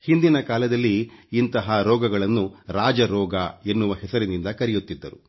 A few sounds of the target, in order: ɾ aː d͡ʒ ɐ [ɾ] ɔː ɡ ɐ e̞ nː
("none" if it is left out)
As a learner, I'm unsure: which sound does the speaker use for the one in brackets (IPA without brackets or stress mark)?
ɾ